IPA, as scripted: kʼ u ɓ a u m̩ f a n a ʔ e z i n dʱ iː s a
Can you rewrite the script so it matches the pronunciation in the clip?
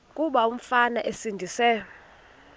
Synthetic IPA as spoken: kʼ u ɓ a u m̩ f a n a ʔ e s i n dʱ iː s ɛ